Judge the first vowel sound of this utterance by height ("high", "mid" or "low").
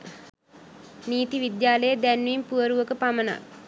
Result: high